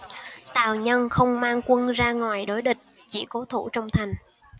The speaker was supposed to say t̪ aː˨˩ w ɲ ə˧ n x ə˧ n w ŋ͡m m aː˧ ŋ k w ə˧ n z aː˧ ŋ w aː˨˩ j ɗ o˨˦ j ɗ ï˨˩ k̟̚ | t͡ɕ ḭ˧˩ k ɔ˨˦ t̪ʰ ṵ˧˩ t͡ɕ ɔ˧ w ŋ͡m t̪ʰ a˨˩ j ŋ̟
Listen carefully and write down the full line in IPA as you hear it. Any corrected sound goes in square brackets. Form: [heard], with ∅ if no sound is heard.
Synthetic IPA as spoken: t̪ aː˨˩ w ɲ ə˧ n x ə˧ [∅] w ŋ͡m m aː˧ ŋ k w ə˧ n z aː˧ ŋ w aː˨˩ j ɗ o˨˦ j ɗ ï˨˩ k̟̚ | t͡ɕ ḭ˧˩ k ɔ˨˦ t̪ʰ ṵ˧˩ t͡ɕ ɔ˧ w ŋ͡m t̪ʰ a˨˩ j ŋ̟